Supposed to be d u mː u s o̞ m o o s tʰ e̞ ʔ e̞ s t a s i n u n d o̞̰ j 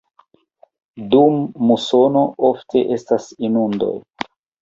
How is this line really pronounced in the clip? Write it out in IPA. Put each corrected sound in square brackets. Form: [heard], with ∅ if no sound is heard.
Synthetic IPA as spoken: d u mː u s o̞ [n] o o [f] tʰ e̞ ʔ e̞ s t a s i n u n d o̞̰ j

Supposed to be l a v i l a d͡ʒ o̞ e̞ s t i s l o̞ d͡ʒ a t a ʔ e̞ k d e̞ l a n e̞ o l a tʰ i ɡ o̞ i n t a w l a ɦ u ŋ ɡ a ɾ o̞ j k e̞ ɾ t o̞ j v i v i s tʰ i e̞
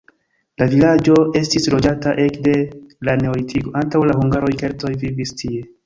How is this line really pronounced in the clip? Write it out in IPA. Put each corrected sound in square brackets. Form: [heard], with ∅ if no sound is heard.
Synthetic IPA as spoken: l a v i l a d͡ʒ o̞ e̞ s t i s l o̞ d͡ʒ a t a ʔ e̞ k d e̞ l a n e̞ o l [i] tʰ i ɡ o̞ [a] n t a w l a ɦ u ŋ ɡ a ɾ o̞ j k e̞ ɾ t o̞ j v i v i s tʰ i e̞

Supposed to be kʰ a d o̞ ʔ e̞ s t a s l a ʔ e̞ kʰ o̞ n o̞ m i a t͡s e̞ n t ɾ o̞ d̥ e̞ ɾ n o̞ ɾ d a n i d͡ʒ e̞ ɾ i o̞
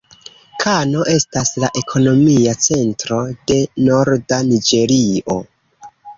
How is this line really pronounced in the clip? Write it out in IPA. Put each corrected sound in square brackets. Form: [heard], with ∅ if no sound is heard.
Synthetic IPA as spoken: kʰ a [n] o̞ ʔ e̞ s t a s l a ʔ e̞ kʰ o̞ n o̞ m i a t͡s e̞ n t ɾ o̞ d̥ e̞ [∅] n o̞ ɾ d a n i d͡ʒ e̞ ɾ i o̞

